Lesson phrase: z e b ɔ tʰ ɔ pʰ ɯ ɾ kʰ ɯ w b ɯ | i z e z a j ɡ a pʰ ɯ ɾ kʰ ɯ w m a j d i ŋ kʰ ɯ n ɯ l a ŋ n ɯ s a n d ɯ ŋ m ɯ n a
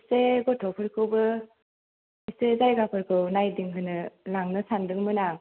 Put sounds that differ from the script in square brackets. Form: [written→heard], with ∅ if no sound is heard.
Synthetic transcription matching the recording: [z→s] e [b→ɡ] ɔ tʰ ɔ pʰ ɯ ɾ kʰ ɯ w b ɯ | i [z→s] e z a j ɡ a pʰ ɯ ɾ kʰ ɯ w [m→n] a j d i ŋ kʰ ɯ n ɯ l a ŋ n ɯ s a n d ɯ ŋ m ɯ n a